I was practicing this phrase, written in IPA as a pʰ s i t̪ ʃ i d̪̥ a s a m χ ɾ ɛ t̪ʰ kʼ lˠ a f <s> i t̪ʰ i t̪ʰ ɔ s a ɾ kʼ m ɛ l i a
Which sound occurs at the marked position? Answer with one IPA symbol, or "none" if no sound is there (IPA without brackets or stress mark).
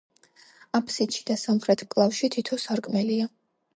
ʃ